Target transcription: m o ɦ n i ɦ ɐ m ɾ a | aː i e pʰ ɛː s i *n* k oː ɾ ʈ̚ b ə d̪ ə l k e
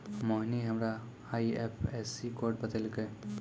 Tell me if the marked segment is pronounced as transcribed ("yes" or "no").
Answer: no